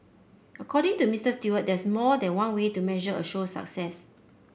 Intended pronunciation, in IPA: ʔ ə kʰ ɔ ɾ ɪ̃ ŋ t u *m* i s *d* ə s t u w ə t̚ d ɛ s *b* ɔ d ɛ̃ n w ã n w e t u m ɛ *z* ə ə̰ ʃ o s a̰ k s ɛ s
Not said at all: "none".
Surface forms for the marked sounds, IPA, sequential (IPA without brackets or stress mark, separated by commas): m, t, m, ʒ